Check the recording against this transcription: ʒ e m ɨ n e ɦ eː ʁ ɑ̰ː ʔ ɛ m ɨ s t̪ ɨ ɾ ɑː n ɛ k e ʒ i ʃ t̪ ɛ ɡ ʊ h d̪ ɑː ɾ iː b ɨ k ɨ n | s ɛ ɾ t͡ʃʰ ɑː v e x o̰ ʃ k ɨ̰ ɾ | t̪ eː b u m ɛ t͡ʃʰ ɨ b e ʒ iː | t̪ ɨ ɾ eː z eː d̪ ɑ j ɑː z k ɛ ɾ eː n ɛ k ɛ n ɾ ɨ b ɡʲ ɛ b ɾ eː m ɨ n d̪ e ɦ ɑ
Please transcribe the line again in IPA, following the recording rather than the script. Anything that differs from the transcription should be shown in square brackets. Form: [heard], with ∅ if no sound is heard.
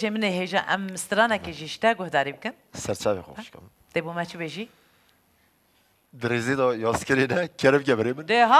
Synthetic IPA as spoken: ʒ e m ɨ n e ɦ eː [ʒ] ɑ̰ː ʔ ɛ m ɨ s t̪ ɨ ɾ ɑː n ɛ k e ʒ i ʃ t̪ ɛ ɡ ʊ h d̪ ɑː ɾ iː b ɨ k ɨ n | s ɛ ɾ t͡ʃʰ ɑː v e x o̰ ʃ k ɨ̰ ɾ | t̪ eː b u m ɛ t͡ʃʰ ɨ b e ʒ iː | [d̪] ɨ ɾ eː z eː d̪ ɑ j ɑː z k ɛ ɾ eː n ɛ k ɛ [∅] ɾ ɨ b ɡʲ ɛ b ɾ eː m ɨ n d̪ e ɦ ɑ